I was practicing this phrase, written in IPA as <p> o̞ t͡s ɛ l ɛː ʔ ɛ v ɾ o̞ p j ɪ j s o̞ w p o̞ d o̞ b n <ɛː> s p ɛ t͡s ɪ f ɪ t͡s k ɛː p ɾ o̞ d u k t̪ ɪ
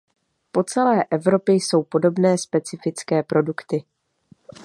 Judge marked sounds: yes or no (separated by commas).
yes, yes